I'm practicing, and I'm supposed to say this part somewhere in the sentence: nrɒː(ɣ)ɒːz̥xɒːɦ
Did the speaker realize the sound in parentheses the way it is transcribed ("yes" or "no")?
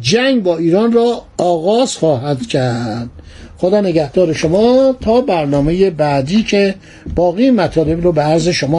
yes